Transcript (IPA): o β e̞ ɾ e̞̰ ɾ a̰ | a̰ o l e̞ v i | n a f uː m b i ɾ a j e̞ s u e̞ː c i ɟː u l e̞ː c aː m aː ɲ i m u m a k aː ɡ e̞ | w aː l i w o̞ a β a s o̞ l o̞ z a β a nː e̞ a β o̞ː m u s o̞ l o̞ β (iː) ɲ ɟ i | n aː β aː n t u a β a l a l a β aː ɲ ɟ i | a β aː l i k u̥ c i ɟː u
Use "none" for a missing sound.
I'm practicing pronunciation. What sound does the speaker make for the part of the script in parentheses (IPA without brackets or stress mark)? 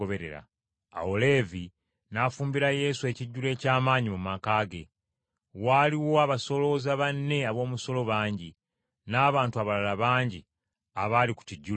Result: aː